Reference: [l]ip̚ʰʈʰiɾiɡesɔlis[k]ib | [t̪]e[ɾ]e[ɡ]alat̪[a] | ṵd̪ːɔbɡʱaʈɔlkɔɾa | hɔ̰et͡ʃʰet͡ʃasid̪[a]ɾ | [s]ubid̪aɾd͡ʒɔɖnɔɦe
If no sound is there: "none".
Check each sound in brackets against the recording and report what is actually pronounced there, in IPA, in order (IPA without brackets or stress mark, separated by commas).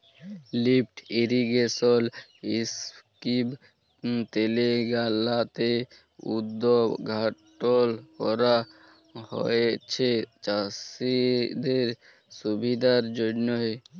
l, k, t̪, l, ɡ, e, e, s